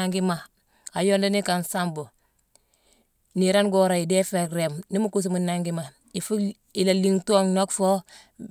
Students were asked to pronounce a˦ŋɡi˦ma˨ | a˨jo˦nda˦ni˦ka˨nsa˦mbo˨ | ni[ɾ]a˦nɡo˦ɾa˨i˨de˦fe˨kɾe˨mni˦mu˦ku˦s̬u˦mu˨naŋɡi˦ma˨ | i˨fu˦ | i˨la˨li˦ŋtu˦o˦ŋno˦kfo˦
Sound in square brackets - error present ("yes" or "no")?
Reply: no